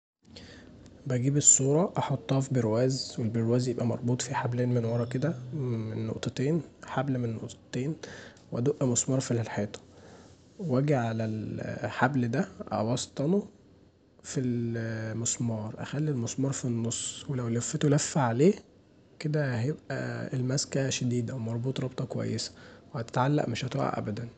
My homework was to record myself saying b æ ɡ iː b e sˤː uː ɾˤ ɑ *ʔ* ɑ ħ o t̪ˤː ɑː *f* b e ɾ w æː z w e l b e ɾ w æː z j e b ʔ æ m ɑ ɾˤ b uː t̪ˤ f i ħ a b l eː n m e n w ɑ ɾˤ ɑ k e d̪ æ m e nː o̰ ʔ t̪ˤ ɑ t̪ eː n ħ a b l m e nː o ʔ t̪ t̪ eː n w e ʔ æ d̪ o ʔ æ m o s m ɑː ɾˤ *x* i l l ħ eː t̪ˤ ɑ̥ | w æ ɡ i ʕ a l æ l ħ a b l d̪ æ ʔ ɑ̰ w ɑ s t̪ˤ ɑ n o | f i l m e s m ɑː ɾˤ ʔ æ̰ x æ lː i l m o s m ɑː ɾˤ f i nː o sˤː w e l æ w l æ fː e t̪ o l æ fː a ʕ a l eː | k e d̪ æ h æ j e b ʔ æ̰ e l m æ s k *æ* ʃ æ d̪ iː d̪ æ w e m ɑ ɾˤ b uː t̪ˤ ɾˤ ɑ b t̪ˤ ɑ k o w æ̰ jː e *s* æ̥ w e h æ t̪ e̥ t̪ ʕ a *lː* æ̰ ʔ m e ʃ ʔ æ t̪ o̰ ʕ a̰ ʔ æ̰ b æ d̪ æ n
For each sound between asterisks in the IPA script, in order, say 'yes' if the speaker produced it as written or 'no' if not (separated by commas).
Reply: yes, yes, no, yes, yes, yes